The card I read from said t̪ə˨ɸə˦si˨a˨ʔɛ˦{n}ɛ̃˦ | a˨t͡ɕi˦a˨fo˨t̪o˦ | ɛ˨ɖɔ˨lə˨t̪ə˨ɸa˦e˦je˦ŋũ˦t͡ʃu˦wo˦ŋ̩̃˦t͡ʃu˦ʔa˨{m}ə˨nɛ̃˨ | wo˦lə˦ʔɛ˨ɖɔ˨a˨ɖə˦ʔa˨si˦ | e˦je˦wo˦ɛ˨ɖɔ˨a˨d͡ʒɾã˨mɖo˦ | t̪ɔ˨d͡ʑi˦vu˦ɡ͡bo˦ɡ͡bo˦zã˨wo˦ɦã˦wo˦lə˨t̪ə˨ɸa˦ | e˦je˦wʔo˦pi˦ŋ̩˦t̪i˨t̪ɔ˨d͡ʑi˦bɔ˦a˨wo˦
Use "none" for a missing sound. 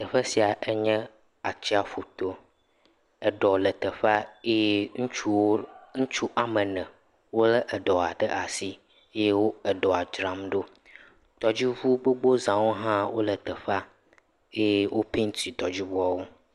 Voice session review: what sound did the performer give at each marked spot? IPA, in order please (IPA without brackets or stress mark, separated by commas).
ɲ, m